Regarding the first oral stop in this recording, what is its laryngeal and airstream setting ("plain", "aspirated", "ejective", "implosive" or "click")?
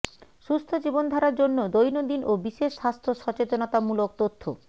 aspirated